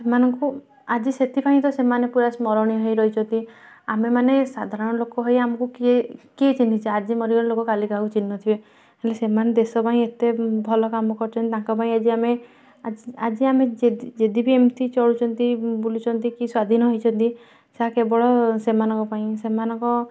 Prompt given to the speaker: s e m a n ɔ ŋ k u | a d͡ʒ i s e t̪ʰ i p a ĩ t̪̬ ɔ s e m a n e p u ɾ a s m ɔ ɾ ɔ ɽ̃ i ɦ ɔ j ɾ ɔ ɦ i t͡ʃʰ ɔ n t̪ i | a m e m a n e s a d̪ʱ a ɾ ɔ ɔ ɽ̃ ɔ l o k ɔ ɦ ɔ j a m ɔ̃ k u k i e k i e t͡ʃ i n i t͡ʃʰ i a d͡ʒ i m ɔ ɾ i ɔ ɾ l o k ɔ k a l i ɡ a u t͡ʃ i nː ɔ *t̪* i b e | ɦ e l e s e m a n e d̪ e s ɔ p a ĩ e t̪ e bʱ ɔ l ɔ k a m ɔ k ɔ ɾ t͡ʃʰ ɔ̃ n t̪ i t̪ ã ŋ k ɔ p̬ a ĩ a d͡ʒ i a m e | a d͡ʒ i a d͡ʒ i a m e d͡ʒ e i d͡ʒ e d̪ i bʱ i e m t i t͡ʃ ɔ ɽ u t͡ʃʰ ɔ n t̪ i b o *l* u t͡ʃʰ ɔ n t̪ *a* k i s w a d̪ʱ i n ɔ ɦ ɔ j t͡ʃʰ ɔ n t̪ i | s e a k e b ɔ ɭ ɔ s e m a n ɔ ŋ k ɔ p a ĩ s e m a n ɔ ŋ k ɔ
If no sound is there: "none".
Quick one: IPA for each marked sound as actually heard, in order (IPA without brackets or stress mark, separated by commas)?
t̪ʰ, l, i